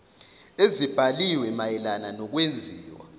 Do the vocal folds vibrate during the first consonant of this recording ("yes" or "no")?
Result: yes